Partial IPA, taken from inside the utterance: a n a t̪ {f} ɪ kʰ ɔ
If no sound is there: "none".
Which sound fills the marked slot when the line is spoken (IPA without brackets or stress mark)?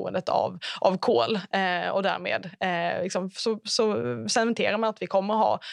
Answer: v